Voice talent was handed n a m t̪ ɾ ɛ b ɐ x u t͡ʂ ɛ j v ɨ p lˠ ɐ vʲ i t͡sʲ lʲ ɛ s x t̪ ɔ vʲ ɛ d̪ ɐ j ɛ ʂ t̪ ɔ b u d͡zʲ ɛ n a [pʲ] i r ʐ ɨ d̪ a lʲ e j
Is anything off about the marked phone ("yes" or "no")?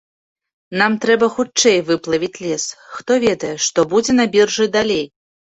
yes